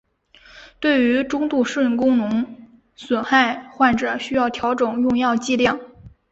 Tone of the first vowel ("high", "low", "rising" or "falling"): falling